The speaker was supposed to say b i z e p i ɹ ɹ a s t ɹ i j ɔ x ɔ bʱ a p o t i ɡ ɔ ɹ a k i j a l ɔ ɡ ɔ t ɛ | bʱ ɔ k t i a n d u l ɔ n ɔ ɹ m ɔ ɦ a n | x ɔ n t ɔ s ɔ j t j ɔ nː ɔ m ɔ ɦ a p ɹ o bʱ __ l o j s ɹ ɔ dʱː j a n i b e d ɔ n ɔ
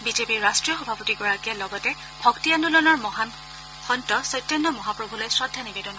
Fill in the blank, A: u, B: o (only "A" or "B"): A